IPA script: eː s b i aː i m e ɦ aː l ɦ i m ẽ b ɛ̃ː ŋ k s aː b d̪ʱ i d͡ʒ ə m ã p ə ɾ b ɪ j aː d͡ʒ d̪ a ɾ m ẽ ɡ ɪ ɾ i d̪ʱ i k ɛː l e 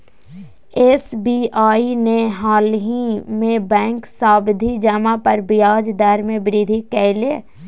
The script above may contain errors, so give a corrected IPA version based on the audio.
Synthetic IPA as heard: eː s b i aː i n e ɦ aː l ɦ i m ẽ b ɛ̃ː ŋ k s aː b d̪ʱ i d͡ʒ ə m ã p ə ɾ b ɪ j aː d͡ʒ d̪ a ɾ m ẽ b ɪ ɾ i d̪ʱ i k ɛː l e